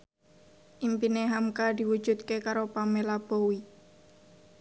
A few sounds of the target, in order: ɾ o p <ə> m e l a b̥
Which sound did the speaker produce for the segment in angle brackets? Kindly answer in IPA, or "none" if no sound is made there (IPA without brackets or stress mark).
a